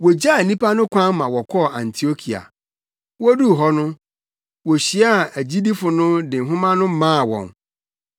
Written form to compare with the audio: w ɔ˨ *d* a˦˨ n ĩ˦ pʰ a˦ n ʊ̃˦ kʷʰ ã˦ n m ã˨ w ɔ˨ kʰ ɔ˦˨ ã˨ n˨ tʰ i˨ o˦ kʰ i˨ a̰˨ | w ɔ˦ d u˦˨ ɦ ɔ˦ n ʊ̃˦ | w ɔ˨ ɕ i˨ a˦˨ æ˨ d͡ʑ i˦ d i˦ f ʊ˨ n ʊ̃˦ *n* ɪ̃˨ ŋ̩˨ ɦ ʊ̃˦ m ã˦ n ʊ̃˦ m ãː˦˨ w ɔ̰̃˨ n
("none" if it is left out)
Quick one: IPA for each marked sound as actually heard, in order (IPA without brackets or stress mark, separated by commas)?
d͡ʑ, d